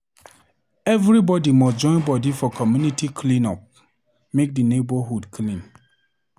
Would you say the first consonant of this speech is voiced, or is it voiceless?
voiced